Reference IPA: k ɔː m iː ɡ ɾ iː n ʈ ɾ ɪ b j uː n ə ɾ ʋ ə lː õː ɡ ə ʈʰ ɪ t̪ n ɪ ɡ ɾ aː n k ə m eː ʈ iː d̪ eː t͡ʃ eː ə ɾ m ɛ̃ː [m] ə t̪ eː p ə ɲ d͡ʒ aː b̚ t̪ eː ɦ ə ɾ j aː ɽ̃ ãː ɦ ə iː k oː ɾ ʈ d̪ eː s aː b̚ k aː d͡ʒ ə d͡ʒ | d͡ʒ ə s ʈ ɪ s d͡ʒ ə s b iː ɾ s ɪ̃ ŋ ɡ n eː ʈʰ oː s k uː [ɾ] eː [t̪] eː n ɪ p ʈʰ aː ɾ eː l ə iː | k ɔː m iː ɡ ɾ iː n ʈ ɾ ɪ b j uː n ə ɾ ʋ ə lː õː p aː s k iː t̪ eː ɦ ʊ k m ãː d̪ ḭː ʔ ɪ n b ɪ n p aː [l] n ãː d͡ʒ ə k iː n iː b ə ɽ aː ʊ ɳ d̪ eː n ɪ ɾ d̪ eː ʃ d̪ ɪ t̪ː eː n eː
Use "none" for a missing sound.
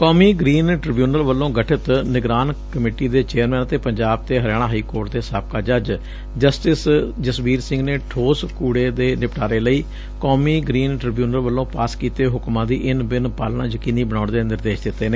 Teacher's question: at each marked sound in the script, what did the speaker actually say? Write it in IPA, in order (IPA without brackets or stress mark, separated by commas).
n, ɽ, d̪, l